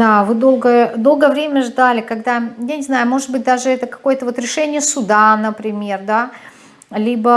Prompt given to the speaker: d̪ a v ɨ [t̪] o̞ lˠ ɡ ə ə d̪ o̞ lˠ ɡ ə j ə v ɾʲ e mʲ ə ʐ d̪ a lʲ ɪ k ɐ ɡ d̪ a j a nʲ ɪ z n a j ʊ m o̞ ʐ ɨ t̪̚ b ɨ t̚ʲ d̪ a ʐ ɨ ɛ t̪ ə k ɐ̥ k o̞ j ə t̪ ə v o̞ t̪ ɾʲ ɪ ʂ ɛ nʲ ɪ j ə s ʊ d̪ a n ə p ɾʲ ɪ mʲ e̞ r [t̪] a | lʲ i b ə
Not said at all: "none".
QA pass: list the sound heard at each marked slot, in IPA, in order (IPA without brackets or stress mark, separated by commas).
d̪, d̪